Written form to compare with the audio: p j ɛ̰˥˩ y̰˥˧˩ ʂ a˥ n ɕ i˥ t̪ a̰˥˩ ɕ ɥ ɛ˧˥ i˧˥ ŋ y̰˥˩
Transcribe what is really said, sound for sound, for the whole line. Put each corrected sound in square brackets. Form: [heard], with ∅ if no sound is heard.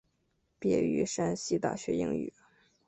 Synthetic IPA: p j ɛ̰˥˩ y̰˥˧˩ ʂ a˥ n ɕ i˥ t̪ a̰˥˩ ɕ ɥ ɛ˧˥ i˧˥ ŋ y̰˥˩

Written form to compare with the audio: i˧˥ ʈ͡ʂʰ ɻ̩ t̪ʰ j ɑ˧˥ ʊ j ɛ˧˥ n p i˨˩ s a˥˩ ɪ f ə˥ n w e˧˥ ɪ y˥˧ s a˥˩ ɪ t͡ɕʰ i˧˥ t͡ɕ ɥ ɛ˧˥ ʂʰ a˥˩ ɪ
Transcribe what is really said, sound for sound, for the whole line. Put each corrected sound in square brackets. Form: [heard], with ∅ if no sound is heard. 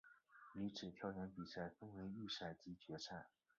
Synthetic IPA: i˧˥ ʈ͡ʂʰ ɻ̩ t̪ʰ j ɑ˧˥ ʊ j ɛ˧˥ n p i˨˩ s a˥˩ ɪ f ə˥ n w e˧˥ ɪ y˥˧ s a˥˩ ɪ [t͡ɕ] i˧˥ t͡ɕ ɥ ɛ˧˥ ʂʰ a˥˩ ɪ

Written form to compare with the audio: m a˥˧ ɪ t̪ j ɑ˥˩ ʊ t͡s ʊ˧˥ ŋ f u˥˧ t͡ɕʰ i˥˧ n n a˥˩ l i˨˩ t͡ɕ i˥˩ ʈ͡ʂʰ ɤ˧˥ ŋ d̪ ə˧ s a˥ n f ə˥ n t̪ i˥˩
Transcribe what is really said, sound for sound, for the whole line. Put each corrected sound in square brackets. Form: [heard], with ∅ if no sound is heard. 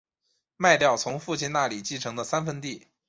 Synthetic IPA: m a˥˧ ɪ t̪ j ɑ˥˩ ʊ [t͡sʰ] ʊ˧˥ ŋ f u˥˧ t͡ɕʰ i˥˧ n n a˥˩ l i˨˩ t͡ɕ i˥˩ ʈ͡ʂʰ ɤ˧˥ ŋ d̪ ə˧ s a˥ n f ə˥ n t̪ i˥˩

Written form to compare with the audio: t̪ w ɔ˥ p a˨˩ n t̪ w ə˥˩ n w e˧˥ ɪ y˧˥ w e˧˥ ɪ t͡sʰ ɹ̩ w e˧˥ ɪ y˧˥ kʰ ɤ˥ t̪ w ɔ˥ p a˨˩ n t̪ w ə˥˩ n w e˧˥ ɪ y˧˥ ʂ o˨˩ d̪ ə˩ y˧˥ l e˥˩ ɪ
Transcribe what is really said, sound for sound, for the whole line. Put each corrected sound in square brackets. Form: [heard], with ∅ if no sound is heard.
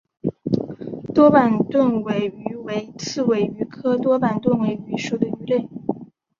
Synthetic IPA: t̪ w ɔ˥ p a˨˩ n t̪ w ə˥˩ n w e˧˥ ɪ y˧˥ w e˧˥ ɪ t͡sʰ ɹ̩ w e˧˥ ɪ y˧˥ kʰ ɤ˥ t̪ w ɔ˥ p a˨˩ n t̪ w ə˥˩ n w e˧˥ ɪ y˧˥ ʂ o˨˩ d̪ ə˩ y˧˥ l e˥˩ ɪ

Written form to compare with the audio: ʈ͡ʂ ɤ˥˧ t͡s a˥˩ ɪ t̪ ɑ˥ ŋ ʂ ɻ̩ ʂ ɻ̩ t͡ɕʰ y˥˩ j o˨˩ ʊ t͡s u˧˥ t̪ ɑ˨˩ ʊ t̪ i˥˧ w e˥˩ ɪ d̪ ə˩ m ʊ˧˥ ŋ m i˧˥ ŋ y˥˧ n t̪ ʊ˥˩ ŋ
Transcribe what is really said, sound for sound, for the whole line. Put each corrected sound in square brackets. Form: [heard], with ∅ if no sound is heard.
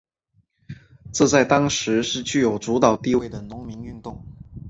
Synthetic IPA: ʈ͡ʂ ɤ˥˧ t͡s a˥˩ ɪ t̪ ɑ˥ ŋ ʂ ɻ̩ ʂ ɻ̩ [t͡ɕ] y˥˩ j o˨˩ ʊ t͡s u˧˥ t̪ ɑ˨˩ ʊ t̪ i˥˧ w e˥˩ ɪ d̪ ə˩ [n] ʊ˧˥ ŋ m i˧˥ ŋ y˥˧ n t̪ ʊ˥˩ ŋ

